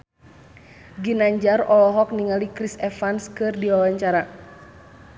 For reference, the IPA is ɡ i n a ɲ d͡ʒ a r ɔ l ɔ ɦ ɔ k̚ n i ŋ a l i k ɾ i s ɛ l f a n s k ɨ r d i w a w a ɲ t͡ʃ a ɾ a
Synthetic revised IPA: ɡ i n a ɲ d͡ʒ a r ɔ l ɔ ɦ ɔ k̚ n i ŋ a l i k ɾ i s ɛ f a n s k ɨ r d i w a w a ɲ t͡ʃ a ɾ a